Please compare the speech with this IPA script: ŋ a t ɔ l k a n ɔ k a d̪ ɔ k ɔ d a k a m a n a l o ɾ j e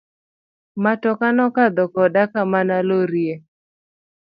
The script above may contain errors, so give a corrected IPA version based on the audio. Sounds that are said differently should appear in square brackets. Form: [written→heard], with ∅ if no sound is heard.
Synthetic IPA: [ŋ→m] a t ɔ [l→∅] k a n ɔ k a d̪ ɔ k ɔ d a k a m a n a l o ɾ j e